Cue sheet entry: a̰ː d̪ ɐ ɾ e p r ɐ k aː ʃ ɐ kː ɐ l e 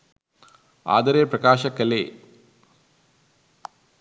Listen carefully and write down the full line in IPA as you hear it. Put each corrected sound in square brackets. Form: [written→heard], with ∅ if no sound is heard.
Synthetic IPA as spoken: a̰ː d̪ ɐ ɾ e p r ɐ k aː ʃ ɐ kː ɐ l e